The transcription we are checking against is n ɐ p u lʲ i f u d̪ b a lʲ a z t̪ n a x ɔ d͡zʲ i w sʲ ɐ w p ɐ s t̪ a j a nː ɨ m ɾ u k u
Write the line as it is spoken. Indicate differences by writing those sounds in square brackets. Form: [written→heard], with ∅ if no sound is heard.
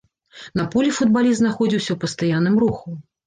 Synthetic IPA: n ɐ p u lʲ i f u d̪ b a lʲ [a→i] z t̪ n a x ɔ d͡zʲ i w sʲ ɐ w p ɐ s t̪ a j a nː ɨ m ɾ u [k→x] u